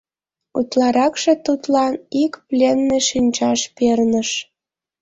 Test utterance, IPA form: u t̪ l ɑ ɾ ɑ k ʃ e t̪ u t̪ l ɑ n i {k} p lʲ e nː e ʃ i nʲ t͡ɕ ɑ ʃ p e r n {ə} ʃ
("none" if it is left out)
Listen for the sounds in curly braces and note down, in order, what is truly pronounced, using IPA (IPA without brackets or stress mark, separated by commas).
k, ə